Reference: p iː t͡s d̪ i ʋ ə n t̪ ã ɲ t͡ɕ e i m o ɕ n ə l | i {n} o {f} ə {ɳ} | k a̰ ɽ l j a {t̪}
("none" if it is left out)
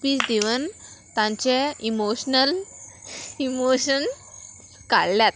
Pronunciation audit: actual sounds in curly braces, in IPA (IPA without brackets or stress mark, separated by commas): m, ɕ, n, t̪